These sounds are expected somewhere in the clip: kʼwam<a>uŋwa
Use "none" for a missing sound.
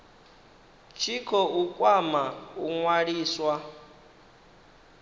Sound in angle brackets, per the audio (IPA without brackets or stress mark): a